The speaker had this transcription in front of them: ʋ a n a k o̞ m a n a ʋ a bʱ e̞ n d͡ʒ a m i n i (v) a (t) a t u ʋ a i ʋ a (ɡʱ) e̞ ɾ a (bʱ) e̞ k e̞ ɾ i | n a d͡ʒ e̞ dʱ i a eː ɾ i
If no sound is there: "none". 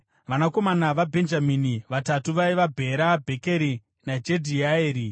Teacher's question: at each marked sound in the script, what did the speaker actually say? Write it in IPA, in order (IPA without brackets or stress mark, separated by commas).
ʋ, t, bʱ, bʱ